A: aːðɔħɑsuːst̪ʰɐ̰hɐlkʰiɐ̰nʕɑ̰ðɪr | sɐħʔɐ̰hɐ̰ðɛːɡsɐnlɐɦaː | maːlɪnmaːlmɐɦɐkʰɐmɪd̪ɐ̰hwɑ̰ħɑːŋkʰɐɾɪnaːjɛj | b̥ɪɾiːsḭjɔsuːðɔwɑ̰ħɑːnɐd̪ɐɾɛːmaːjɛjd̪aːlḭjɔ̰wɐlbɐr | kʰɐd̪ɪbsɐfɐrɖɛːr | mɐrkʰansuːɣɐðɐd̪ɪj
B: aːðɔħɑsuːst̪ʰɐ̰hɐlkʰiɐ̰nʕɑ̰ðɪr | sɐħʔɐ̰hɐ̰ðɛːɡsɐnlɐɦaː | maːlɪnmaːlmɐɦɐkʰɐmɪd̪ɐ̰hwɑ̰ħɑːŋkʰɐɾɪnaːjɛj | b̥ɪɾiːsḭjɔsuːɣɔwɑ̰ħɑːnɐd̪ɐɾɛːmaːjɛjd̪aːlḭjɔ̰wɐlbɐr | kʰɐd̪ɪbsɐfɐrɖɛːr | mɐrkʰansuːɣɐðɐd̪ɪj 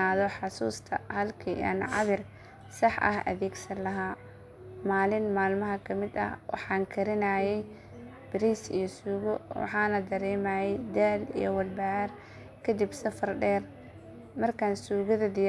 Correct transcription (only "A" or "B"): B